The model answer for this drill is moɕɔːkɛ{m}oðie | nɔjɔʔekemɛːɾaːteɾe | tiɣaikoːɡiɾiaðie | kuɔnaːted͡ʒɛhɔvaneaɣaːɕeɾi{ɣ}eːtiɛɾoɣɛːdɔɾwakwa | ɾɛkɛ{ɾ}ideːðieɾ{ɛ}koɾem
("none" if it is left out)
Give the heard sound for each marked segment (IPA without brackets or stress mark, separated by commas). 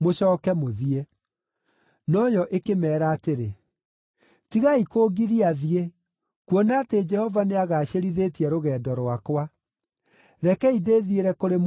m, ð, none, ɛ